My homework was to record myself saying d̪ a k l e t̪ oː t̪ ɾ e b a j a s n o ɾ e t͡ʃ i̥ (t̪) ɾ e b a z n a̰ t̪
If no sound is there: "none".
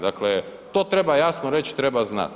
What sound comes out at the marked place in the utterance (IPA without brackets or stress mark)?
t̪